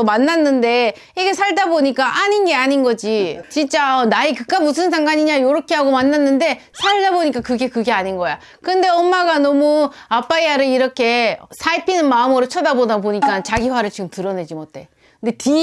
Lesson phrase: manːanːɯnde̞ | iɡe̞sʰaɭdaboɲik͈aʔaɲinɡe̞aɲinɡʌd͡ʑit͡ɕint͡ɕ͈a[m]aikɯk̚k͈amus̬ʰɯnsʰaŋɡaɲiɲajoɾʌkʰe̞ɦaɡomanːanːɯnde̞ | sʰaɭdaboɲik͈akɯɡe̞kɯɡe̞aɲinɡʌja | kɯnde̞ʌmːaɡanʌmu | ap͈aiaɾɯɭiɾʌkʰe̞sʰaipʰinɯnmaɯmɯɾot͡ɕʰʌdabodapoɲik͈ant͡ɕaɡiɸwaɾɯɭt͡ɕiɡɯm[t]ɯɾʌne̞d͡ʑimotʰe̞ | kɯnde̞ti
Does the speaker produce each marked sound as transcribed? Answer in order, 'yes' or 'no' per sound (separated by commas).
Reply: no, yes